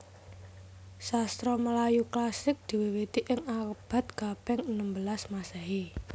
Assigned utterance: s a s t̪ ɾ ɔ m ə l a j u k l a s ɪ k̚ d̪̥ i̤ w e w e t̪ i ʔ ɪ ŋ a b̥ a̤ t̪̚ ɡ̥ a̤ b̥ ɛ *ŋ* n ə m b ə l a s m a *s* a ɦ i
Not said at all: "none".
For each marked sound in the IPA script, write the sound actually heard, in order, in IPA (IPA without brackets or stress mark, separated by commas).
ŋ, s